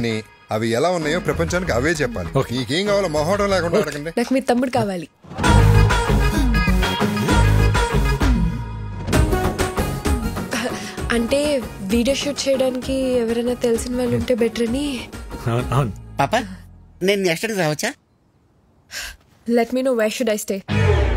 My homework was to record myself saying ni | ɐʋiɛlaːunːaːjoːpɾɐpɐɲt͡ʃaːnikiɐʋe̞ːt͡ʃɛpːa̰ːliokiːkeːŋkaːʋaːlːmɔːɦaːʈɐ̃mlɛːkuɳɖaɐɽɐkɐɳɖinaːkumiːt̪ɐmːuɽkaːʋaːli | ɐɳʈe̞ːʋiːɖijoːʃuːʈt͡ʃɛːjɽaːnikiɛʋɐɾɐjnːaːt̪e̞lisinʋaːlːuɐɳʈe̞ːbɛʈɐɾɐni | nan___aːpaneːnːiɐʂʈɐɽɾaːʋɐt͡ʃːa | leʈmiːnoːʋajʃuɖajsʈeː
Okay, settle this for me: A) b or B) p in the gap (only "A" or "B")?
B